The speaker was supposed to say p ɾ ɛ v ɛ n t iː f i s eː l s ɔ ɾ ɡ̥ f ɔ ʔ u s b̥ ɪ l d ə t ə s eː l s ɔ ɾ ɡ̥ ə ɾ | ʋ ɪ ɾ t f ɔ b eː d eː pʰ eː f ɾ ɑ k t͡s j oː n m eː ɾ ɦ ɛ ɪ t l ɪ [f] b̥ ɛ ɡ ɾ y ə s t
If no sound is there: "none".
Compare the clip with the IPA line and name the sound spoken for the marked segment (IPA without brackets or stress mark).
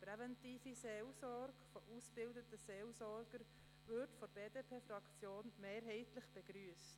χ